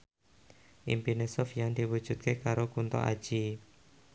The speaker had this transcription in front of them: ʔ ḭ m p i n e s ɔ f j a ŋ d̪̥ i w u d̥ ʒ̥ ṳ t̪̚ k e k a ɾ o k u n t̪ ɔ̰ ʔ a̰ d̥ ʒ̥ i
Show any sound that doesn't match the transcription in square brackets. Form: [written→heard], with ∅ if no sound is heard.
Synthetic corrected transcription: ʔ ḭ m p i n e s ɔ f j a ŋ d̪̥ i w u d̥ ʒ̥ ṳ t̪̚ k e k a ɾ o k u n t̪ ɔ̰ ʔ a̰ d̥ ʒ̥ i